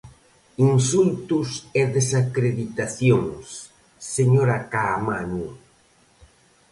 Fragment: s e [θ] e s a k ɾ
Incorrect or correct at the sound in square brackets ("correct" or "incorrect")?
incorrect